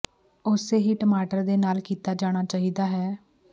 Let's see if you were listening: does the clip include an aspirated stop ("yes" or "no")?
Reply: no